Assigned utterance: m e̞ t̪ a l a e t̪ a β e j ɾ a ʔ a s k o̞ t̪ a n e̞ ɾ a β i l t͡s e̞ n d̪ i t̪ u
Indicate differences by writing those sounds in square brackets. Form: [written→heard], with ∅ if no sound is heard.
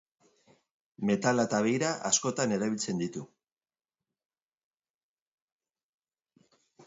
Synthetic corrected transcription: m e̞ t̪ a l a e t̪ a β e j ɾ a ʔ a s k o̞ t̪ a n e̞ ɾ a β i l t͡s e̞ n d̪ i t̪ u

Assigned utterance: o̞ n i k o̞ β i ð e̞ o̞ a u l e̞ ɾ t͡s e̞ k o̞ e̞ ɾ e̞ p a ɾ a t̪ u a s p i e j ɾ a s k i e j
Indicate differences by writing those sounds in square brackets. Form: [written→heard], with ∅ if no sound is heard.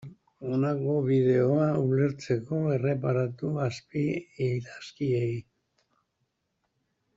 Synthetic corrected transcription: o̞ n [i→a] k o̞ β i ð e̞ o̞ a u l e̞ ɾ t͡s e̞ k o̞ e̞ [ɾ→r] e̞ p a ɾ a t̪ u a s p i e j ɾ a s k i e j

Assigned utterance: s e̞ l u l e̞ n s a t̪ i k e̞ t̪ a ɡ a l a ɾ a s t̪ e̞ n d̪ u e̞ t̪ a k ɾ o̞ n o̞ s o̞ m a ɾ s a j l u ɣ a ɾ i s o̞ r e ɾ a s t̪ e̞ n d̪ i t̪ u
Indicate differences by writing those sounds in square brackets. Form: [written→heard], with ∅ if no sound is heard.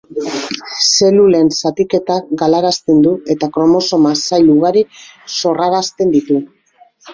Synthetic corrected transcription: s e̞ l u l e̞ n s a t̪ i k e̞ t̪ a ɡ a l a ɾ a s t̪ e̞ n d̪ u e̞ t̪ a k ɾ o̞ [n→m] o̞ s o̞ m a [ɾ→∅] s a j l u ɣ a ɾ i s o̞ r [e→a] ɾ a s t̪ e̞ n d̪ i t̪ u

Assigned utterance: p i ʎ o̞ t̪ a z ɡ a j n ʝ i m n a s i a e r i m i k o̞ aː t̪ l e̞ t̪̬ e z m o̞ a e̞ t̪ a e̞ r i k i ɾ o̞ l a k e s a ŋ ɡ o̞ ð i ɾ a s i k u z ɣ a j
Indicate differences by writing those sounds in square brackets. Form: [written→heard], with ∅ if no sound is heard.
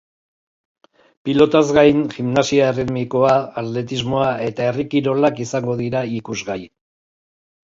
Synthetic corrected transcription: p i [ʎ→l] o̞ t̪ a z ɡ a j n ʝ i m n a s i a e r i m i k o̞ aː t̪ l e̞ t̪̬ [e→i] z m o̞ a e̞ t̪ a e̞ r i k i ɾ o̞ l a k [e→i] s a ŋ ɡ o̞ ð i ɾ a [s→∅] i k u z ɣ a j

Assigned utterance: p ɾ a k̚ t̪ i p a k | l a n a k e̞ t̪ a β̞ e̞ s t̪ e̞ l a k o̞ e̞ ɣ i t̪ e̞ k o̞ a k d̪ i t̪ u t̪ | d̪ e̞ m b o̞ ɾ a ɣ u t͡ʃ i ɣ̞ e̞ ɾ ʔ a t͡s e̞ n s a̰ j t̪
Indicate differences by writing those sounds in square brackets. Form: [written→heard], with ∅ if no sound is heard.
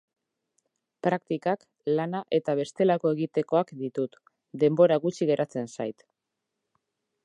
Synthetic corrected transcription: p ɾ a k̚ t̪ i [p→k] a k | l a n a [k→ʔ] e̞ t̪ a β̞ e̞ s t̪ e̞ l a k o̞ e̞ ɣ i t̪ e̞ k o̞ a k d̪ i t̪ u t̪ | d̪ e̞ m b o̞ ɾ a ɣ u t͡ʃ i ɣ̞ e̞ ɾ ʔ a t͡s e̞ n s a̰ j t̪

